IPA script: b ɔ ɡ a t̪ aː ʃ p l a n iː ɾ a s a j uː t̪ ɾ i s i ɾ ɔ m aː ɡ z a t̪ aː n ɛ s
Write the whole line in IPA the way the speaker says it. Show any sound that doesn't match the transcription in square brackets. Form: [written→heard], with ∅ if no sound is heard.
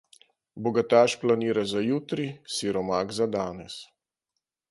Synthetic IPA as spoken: b ɔ ɡ a t̪ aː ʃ p l a n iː ɾ a [s→z] a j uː t̪ ɾ i s i ɾ ɔ m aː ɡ z a [t̪→d̪] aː n ɛ s